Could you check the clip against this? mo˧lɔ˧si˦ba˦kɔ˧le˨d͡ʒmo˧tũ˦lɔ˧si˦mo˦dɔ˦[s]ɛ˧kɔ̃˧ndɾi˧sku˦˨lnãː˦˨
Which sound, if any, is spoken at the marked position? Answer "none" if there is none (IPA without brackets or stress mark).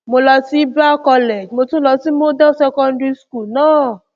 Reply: s